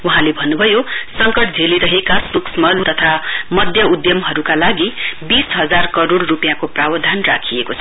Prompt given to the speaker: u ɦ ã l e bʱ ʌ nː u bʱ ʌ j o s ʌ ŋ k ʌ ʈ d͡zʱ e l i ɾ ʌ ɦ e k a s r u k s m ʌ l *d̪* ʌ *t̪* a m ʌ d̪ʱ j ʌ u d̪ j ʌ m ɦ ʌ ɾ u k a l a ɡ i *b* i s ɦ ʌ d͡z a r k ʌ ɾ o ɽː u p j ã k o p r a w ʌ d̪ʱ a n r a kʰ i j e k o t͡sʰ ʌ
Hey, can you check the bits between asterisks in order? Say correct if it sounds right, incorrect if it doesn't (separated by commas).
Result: incorrect, incorrect, correct